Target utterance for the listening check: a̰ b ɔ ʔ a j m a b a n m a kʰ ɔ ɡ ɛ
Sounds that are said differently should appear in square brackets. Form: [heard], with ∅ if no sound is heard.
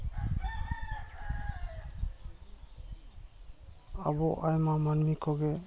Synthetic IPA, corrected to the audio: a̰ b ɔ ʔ a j m a [m] a n m [i] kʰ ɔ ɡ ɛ